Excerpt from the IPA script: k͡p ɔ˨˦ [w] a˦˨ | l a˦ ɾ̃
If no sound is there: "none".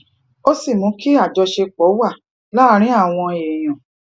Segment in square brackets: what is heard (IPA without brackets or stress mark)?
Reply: w